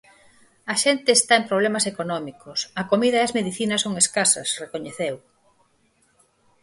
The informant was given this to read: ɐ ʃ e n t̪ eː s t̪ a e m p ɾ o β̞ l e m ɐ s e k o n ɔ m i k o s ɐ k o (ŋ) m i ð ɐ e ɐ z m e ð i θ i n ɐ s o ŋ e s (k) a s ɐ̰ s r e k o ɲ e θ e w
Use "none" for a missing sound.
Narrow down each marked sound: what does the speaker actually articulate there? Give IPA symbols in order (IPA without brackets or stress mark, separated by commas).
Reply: none, k